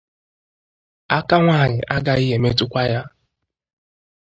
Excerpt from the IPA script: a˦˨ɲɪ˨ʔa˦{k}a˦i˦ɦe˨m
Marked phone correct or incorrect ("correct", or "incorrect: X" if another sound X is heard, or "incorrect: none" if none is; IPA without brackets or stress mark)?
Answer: incorrect: ɡ